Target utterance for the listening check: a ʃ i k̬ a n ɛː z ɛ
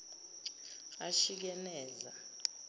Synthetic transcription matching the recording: a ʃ i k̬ ɛ n ɛː z a